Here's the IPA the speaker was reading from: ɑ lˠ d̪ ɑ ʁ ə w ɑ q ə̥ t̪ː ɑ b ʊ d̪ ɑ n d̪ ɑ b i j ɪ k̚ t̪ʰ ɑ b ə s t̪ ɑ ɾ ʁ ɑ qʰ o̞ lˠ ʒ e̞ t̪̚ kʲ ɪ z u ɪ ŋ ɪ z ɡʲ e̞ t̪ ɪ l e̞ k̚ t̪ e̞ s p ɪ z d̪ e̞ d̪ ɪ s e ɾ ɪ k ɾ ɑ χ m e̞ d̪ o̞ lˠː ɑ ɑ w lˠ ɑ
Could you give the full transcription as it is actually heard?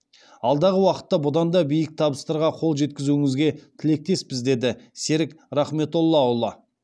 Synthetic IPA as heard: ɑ lˠ d̪ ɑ ʁ ə w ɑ q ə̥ t̪ː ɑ b ʊ d̪ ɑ n d̪ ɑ b i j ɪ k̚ t̪ʰ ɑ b ə s t̪ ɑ ɾ ʁ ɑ qʰ o̞ lˠ ʒ e̞ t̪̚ kʲ ɪ z u ɪ ŋ ɪ z ɡʲ e̞ t̪ʰ ɪ l e̞ k̚ t̪ e̞ s p ɪ z d̪ e̞ d̪ ɪ s e ɾ ɪ k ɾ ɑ χ m e̞ t̪ o̞ lˠː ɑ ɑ w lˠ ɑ